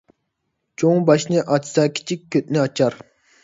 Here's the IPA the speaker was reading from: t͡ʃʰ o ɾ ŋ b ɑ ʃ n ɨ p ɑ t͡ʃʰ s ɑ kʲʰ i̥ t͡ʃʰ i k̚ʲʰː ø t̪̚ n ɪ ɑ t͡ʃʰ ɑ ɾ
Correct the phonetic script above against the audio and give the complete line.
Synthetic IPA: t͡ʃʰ o ŋ b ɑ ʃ n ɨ ʔ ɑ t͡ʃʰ s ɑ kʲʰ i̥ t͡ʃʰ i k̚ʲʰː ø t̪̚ n ɪ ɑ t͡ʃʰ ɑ ɾ